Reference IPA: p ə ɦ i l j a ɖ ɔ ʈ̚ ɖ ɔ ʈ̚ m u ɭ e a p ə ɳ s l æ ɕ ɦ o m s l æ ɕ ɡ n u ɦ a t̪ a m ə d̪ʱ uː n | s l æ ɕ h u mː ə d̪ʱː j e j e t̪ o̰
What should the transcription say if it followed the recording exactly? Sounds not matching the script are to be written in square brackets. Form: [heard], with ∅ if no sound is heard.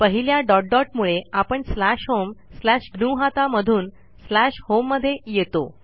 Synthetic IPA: p ə ɦ i l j a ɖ ɔ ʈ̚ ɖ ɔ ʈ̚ m u ɭ e a p ə ɳ s l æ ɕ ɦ o m s l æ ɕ ɡ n u ɦ a t̪ a m ə d̪ʱ uː n | s l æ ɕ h [o] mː ə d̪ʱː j e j e t̪ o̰